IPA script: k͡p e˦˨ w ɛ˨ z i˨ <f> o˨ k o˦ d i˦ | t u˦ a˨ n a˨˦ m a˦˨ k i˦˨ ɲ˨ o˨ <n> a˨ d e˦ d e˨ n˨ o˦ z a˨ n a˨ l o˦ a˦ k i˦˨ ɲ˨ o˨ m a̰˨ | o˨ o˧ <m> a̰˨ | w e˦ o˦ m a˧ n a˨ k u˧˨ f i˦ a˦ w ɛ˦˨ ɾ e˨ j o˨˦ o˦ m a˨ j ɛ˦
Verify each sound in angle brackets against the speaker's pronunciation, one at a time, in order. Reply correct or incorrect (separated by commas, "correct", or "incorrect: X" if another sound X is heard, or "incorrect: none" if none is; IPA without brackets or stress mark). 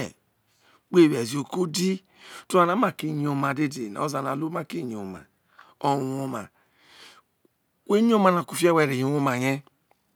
incorrect: none, incorrect: m, correct